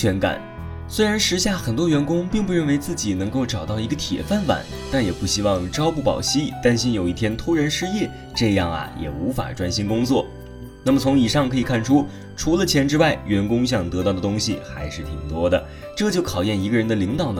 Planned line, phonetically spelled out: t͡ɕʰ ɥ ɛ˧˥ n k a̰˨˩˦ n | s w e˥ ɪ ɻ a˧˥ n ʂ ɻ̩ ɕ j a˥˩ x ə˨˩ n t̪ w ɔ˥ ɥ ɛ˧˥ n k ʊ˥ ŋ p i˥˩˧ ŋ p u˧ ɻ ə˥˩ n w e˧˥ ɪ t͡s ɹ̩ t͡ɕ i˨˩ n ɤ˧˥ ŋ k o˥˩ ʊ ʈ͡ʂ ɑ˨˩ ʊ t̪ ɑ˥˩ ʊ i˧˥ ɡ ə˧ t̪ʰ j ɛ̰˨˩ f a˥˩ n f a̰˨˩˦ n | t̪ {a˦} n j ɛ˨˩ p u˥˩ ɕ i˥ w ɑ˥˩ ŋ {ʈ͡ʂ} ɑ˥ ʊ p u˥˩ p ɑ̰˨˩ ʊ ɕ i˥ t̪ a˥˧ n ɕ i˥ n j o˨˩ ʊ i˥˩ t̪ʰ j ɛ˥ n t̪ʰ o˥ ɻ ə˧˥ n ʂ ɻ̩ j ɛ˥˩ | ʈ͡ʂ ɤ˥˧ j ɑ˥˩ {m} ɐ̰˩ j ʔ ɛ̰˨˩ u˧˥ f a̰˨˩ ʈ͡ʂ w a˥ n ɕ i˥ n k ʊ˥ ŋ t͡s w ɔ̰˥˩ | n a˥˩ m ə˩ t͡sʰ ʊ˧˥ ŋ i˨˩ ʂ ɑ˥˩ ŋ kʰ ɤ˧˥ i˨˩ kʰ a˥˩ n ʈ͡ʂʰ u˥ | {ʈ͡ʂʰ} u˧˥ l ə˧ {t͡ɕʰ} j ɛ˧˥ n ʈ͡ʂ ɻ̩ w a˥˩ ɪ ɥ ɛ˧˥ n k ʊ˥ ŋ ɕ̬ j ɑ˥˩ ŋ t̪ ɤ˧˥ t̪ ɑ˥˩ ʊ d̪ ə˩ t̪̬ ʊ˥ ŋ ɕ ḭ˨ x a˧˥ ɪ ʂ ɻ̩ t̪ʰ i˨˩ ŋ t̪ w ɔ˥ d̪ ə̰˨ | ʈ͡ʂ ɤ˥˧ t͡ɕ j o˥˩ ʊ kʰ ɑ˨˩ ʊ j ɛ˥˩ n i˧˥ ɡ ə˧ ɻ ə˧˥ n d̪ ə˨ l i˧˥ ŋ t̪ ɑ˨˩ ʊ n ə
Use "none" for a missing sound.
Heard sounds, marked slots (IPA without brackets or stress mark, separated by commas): a˥˩, ʈ͡ʂ, ŋ, ʈ͡ʂʰ, t͡ɕʰ